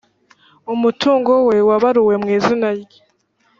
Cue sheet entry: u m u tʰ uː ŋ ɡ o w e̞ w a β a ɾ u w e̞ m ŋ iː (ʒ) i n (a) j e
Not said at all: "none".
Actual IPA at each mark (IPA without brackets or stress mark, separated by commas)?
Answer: z, a